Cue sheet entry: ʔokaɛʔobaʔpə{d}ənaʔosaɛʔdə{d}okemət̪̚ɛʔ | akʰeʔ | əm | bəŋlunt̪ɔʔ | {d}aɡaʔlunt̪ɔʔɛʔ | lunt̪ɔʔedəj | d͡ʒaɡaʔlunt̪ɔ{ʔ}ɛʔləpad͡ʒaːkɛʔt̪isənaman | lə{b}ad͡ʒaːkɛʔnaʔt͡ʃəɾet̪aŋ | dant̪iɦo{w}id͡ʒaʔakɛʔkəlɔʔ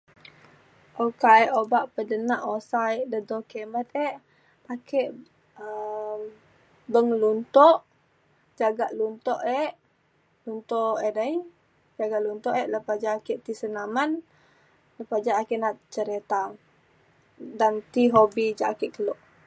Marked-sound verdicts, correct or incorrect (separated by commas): correct, correct, incorrect, correct, incorrect, incorrect